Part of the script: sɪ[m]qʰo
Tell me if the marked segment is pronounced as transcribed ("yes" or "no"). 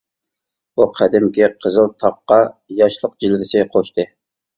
no